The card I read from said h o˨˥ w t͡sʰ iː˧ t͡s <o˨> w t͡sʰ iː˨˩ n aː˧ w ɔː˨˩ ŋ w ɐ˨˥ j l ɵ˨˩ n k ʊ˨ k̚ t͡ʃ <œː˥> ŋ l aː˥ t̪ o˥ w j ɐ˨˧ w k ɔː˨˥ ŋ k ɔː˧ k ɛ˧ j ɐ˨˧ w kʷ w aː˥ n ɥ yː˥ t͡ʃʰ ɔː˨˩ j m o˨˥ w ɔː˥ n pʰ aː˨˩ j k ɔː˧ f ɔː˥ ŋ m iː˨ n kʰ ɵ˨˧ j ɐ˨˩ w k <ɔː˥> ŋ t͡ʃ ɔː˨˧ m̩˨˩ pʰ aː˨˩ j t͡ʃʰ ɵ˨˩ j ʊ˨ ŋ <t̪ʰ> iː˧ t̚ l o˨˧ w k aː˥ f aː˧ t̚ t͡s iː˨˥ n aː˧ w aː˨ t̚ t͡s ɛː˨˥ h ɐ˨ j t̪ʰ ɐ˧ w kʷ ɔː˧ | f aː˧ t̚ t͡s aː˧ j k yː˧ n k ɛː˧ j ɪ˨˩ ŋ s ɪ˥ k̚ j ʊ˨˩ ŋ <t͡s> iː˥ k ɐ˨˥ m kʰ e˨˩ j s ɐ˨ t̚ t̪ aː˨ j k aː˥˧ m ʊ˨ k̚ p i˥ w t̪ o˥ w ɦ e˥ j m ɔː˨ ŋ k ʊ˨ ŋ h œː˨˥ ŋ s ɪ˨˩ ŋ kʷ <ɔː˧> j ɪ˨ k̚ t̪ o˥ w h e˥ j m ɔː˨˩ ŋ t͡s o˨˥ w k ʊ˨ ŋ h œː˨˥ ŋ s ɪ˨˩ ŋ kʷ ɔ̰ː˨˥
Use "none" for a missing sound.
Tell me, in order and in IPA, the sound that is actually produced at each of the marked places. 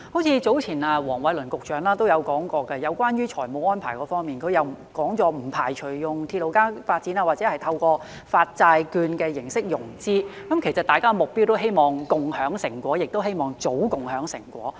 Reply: o˨˥, œː˨˥, ɔː˨˥, t̪ʰ, t͡s, ɔː˨˥

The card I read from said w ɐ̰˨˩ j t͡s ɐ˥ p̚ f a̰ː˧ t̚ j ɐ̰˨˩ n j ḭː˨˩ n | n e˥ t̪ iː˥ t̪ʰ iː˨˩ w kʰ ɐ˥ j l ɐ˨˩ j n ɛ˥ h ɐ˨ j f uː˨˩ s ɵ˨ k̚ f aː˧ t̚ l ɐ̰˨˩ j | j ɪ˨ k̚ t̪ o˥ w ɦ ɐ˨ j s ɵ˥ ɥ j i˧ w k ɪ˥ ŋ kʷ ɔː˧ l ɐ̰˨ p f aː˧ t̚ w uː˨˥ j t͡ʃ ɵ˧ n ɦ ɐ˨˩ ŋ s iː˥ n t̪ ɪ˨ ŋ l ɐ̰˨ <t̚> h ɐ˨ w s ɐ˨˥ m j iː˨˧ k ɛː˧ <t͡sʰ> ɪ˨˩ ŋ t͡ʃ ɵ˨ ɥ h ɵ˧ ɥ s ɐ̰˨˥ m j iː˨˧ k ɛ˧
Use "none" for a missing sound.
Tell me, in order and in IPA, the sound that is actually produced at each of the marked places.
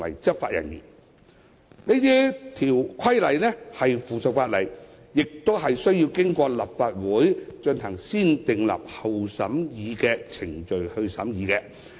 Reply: p̚, t͡sʰ

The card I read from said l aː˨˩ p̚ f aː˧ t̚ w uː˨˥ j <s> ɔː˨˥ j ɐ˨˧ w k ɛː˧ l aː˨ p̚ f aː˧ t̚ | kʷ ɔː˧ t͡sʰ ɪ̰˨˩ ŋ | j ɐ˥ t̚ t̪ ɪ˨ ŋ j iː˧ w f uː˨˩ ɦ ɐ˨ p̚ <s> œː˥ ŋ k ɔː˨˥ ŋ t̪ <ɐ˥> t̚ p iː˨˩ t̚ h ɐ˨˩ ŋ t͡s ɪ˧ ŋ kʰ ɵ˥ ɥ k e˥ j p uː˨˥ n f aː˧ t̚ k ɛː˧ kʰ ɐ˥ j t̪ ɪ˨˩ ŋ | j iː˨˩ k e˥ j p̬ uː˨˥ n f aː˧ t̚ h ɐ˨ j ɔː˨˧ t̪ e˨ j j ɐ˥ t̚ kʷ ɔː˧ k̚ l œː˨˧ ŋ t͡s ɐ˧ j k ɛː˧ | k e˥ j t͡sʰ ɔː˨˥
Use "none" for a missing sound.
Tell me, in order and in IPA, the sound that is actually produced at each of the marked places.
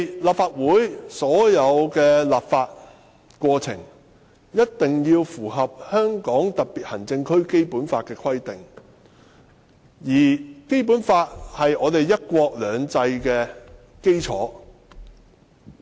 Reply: s, h, ɐ˨˩

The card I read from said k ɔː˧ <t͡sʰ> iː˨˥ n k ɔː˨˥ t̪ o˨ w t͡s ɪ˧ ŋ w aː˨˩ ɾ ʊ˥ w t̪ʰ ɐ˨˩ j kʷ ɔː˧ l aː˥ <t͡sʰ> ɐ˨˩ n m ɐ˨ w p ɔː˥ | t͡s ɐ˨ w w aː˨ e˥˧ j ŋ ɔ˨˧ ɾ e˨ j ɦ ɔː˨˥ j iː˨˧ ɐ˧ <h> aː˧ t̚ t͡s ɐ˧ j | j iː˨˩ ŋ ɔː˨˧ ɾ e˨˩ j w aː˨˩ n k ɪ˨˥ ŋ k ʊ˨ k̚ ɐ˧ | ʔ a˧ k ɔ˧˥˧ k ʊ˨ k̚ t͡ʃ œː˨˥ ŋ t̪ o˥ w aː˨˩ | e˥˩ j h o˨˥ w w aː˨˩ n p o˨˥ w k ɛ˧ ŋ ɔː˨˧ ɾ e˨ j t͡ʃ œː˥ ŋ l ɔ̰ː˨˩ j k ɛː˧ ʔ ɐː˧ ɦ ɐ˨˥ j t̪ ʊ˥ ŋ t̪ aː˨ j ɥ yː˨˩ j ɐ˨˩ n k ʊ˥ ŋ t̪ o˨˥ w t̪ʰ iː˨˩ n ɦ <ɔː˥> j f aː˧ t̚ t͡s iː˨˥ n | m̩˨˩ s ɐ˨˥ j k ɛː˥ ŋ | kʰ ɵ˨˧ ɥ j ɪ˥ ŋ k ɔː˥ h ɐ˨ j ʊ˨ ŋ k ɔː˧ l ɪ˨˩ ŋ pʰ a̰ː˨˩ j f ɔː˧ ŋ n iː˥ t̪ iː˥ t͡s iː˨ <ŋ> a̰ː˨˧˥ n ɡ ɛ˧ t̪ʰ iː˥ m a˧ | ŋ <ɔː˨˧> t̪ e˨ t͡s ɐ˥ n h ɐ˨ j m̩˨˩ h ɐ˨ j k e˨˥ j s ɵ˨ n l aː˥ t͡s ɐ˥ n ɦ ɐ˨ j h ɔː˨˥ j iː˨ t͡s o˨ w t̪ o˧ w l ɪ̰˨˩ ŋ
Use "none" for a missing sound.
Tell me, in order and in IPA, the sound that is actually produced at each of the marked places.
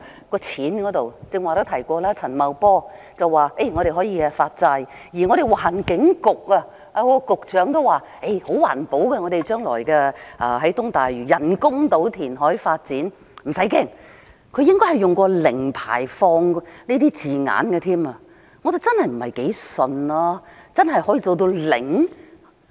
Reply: t͡sʰ, t͡sʰ, f, ɔː˨˥, ŋ, ɔ˨˧

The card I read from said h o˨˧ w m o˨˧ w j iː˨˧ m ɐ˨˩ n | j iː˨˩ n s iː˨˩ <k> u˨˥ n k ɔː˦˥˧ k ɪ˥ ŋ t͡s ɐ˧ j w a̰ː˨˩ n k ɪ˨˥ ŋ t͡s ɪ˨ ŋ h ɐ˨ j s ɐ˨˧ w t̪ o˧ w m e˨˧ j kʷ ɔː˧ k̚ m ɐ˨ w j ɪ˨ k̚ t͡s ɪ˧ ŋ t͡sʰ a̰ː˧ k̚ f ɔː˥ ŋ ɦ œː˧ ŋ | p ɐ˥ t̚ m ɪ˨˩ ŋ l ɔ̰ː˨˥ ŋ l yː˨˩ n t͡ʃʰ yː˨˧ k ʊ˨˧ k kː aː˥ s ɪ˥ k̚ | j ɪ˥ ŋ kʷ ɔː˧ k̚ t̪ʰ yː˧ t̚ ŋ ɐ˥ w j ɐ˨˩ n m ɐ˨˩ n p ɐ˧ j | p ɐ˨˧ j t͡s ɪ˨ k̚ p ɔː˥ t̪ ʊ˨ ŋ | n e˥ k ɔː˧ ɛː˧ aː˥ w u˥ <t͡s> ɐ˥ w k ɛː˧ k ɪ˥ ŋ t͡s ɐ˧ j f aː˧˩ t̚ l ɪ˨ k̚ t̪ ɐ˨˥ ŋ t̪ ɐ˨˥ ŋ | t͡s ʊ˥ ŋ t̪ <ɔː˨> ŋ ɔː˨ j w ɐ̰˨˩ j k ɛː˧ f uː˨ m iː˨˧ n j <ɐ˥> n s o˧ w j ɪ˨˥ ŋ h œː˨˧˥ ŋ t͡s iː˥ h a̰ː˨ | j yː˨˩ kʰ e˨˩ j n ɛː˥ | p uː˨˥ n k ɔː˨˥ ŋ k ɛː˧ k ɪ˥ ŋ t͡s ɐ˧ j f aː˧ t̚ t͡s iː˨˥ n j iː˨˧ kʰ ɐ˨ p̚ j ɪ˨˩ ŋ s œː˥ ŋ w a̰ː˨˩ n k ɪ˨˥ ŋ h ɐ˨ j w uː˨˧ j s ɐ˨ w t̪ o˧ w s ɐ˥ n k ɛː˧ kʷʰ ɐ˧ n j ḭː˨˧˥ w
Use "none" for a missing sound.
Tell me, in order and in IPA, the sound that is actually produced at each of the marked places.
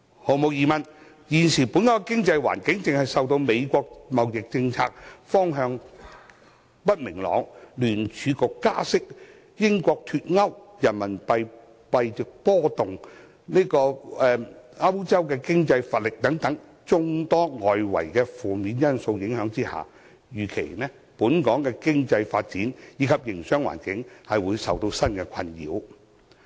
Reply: p, t͡s, ɔː˥, ɐ˥

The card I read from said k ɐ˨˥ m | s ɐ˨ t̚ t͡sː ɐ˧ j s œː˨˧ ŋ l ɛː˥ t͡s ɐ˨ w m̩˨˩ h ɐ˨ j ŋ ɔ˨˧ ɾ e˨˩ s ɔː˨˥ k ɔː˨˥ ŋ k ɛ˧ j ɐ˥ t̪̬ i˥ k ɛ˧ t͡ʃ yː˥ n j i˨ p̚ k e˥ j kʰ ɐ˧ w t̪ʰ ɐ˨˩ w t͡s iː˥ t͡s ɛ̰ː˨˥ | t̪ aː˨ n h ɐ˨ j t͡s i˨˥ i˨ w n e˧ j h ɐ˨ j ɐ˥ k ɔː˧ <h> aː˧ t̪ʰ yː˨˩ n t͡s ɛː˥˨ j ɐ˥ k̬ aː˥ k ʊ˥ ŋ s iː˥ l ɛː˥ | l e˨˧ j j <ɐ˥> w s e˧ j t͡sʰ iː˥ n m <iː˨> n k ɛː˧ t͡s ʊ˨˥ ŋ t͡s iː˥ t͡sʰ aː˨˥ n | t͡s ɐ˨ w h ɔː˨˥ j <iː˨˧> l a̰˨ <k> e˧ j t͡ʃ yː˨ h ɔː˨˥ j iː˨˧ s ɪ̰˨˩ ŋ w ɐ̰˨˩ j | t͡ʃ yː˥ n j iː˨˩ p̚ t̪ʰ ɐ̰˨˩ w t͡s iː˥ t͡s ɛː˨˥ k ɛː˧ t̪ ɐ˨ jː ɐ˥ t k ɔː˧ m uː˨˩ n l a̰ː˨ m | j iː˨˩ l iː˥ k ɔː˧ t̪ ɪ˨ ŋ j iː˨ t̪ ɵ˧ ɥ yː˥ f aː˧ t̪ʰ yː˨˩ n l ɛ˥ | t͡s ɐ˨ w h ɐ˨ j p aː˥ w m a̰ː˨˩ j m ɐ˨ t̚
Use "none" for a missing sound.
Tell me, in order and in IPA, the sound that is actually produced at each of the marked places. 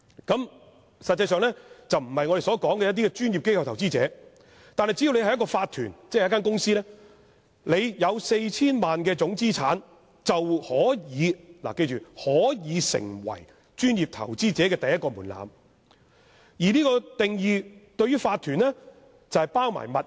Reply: f, ɐ˨˧, aː˨, iː˨˧, k

